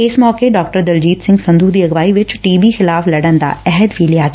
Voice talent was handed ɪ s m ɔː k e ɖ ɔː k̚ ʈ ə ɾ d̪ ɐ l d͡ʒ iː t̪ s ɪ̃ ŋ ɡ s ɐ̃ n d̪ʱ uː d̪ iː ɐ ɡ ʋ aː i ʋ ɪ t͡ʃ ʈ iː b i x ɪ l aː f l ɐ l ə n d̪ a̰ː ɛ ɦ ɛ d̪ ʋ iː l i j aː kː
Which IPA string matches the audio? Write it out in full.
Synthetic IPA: ɪ s m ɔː k e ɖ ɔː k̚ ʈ ə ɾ d̪ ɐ l d͡ʒ iː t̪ s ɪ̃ ŋ ɡ s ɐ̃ n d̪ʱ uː d̪ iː ɐ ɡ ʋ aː i ʋ ɪ t͡ʃ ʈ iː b i x ɪ l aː f l ɐ ɽ ə n d̪ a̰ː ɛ ɦ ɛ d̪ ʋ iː l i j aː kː